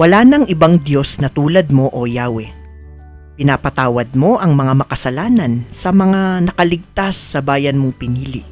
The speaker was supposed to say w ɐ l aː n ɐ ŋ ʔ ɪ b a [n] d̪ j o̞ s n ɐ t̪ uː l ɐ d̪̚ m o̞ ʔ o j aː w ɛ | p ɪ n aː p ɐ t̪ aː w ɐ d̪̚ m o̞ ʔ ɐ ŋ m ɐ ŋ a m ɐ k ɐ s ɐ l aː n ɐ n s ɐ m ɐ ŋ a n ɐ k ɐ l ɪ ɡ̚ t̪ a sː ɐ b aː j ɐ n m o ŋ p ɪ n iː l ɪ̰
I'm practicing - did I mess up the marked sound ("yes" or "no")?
yes